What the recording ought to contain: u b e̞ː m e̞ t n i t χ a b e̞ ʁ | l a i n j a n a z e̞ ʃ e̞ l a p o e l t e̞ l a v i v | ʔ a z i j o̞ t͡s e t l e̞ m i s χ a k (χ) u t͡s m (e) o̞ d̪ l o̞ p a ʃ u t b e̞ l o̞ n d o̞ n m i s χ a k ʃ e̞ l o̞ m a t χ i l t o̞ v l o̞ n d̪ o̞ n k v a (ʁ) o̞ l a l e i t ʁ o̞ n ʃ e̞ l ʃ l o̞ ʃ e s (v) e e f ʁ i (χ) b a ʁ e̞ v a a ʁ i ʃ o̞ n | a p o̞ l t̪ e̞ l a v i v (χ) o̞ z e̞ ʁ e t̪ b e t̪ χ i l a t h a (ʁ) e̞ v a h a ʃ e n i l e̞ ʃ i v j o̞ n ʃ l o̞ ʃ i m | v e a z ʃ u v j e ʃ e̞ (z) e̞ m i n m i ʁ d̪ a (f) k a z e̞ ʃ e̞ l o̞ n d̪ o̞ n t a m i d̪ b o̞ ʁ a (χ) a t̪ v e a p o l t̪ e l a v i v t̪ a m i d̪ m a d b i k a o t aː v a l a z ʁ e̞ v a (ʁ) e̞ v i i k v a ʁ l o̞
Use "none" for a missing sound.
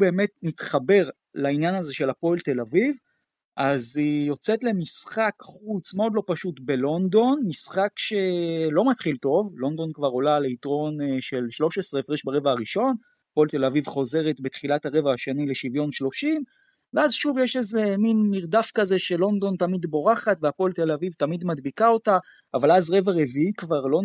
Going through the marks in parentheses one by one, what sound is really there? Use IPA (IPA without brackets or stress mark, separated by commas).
χ, e, ʁ, ʁ, ʃ, χ, ʁ, z, f, χ, ʁ